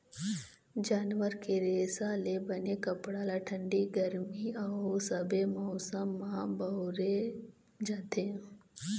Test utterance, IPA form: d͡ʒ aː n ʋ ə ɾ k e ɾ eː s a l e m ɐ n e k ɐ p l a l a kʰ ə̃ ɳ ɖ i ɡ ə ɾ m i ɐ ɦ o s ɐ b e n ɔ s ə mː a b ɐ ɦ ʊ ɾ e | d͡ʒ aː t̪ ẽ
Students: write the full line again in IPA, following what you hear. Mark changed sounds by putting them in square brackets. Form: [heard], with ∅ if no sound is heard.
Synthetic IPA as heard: d͡ʒ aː n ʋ ə ɾ k e ɾ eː s a l e [b] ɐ n e k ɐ p [ɽ] a l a [ʈʰ] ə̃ ɳ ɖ i ɡ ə ɾ m i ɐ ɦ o s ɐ b e [m] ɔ s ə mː a b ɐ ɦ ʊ ɾ e | d͡ʒ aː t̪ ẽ